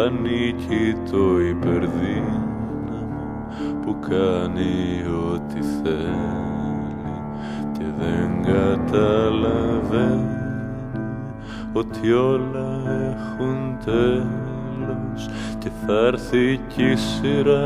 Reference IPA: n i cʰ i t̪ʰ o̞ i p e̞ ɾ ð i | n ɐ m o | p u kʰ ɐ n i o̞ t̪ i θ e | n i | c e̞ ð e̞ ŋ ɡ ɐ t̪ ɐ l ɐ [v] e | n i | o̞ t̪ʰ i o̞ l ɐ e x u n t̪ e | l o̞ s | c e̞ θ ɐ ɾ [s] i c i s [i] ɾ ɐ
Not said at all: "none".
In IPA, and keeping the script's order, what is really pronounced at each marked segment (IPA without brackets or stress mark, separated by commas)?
v, θ, i